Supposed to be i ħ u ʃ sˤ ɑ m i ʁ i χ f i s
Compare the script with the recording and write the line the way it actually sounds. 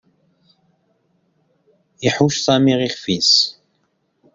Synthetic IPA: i ħ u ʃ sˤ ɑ m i ʁ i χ f i s